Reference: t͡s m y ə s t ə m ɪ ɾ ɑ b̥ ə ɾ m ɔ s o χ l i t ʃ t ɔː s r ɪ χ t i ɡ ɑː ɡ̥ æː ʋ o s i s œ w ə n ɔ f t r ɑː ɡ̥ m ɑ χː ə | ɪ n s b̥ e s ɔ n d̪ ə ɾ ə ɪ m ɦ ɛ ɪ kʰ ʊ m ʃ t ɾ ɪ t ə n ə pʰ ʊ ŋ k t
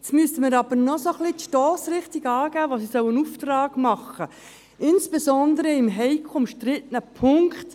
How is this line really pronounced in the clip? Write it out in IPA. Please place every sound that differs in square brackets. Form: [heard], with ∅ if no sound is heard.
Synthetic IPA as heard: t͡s m y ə s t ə m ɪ ɾ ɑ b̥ ə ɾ [n] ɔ s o χ l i t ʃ t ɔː s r ɪ χ t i ɡ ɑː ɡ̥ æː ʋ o s i s œ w ə n [u] f t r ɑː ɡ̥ m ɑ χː ə | ɪ n s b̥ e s ɔ n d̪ ə ɾ ə ɪ m ɦ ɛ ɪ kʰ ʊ m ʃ t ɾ ɪ t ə n ə pʰ ʊ ŋ k t